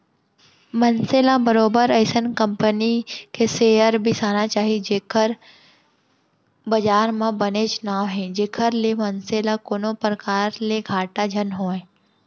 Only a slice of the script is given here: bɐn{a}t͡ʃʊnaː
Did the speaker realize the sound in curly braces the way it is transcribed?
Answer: no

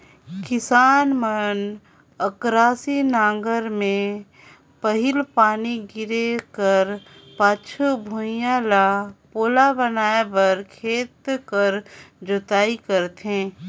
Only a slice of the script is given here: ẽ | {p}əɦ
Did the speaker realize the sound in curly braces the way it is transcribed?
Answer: yes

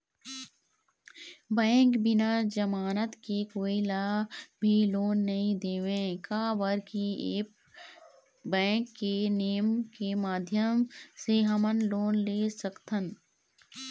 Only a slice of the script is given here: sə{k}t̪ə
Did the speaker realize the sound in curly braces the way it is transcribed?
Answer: yes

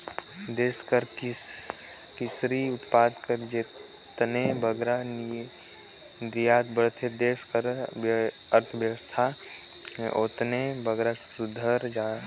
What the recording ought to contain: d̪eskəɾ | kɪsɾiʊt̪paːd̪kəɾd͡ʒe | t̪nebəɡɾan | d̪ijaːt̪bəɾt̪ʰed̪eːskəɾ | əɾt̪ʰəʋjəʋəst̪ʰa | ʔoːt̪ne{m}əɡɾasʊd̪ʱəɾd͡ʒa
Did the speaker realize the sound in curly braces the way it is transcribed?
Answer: no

